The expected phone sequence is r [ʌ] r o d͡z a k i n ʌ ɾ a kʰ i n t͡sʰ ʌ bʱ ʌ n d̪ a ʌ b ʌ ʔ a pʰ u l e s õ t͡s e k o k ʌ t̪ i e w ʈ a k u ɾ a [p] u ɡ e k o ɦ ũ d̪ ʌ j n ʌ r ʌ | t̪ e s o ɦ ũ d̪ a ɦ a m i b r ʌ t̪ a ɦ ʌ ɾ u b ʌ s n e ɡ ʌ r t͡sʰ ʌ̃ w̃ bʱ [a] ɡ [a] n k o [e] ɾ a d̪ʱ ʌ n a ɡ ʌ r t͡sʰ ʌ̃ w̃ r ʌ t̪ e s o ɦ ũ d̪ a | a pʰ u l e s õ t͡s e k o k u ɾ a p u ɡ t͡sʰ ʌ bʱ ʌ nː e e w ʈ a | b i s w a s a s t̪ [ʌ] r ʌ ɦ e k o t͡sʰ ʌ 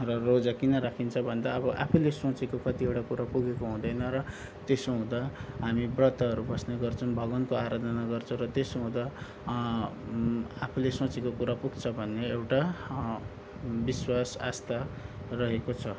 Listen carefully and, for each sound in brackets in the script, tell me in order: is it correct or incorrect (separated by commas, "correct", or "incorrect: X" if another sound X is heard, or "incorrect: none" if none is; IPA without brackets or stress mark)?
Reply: correct, correct, incorrect: ʌ, incorrect: ʌ, incorrect: a, incorrect: a